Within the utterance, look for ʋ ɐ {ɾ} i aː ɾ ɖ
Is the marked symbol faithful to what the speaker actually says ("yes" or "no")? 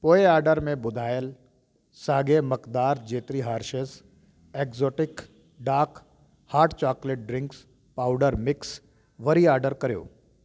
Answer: yes